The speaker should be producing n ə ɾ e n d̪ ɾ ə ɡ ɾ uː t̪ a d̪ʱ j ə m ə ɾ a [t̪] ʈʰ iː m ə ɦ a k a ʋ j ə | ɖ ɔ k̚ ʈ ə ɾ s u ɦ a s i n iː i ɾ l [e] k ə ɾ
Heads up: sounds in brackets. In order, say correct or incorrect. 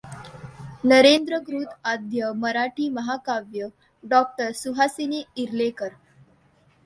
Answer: incorrect, correct

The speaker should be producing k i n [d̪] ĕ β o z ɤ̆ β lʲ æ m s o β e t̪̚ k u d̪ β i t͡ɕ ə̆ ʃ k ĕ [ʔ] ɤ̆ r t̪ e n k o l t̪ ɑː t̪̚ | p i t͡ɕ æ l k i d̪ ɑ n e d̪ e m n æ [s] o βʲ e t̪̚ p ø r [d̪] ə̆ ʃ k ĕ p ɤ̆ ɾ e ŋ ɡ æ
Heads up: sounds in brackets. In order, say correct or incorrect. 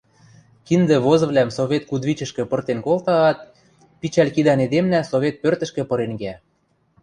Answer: correct, incorrect, correct, incorrect

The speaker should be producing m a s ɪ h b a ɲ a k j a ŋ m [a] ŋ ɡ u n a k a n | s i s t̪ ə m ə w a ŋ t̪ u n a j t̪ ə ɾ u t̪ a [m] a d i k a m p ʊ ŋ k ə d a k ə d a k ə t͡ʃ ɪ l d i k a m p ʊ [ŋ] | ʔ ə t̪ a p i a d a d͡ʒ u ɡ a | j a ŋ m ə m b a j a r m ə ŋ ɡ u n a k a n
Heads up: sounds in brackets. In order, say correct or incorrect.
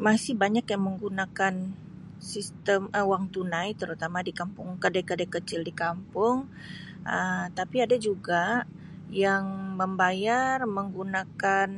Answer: incorrect, correct, correct

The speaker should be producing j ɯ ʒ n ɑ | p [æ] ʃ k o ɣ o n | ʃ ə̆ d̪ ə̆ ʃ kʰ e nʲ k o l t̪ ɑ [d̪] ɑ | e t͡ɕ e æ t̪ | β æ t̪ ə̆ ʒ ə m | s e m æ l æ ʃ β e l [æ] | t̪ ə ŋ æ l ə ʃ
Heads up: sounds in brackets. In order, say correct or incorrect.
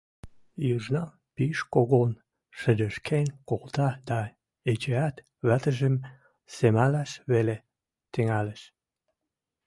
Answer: incorrect, correct, incorrect

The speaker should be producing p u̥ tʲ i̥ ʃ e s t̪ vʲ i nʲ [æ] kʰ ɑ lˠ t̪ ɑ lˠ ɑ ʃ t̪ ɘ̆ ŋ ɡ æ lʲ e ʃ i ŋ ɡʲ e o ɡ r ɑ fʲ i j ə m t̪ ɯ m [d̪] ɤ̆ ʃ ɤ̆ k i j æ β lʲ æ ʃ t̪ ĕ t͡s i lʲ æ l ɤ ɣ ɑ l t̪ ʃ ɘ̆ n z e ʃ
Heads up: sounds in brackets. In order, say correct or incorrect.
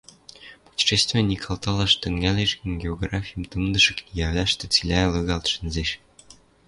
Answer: incorrect, correct

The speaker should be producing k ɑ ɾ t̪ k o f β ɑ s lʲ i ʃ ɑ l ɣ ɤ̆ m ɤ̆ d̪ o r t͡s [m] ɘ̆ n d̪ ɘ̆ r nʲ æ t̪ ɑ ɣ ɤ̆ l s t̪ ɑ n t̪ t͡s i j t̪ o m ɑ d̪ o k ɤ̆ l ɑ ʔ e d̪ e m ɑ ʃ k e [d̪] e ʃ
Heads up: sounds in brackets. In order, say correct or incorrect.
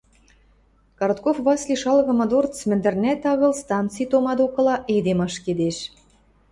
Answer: correct, correct

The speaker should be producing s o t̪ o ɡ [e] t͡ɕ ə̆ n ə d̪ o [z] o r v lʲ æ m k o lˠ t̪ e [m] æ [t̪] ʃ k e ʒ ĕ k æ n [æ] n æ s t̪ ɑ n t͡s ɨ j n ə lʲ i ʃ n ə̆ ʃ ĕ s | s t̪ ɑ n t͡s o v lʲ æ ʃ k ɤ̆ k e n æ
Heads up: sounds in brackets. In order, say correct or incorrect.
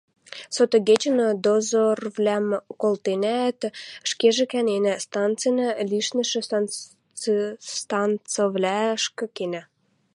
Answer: correct, correct, incorrect, correct, incorrect

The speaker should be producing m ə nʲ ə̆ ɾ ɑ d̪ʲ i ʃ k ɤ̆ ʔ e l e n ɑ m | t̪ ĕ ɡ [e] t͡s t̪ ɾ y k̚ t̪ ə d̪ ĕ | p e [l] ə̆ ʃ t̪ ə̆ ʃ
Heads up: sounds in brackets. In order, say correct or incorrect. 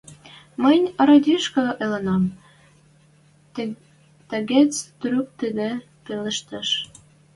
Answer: correct, correct

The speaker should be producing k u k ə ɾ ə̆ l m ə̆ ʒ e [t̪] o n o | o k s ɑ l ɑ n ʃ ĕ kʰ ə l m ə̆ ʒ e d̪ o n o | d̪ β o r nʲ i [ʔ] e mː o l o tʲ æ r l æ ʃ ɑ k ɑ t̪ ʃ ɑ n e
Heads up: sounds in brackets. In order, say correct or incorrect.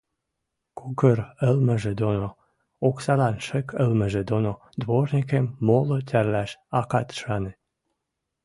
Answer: incorrect, incorrect

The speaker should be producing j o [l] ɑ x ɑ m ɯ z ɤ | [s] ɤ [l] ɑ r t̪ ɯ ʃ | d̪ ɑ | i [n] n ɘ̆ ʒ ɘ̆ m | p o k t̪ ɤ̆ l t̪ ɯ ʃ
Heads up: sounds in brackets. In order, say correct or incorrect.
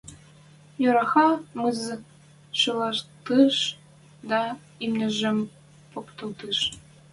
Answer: incorrect, incorrect, correct, incorrect

